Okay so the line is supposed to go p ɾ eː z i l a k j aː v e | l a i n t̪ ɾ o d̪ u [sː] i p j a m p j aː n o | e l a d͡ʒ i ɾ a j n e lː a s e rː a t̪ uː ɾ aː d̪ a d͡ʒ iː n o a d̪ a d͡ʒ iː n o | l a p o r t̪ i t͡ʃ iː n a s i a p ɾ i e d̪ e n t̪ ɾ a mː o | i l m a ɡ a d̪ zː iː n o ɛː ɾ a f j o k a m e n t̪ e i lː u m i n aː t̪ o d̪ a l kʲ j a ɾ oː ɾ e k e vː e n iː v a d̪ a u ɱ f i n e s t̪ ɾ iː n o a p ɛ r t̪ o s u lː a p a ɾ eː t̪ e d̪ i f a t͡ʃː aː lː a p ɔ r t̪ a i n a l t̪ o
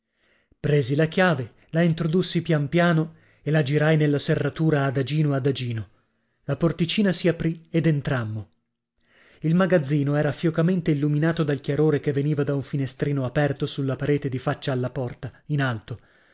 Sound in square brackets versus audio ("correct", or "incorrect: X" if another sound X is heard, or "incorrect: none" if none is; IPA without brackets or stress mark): correct